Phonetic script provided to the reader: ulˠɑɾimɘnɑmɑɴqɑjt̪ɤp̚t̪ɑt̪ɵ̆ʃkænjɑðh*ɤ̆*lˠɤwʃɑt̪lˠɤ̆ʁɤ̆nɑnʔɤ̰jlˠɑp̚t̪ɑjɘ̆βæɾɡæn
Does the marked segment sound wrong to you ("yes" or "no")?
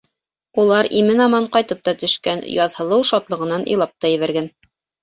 no